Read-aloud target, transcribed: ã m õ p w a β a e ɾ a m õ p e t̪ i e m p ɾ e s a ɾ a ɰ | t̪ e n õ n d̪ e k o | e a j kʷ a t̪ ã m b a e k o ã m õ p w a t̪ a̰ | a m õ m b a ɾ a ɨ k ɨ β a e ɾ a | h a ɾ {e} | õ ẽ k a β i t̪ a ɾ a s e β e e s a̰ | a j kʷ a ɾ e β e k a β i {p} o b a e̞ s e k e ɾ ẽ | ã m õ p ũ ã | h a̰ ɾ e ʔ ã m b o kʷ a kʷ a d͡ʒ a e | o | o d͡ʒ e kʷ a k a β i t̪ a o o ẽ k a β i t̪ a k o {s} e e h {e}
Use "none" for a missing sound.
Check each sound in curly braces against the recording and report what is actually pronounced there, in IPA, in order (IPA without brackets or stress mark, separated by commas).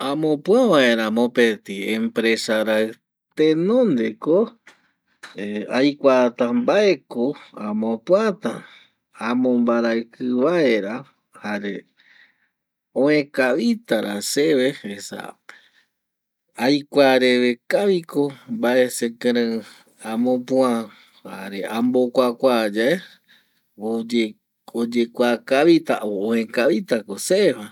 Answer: e, k, s, a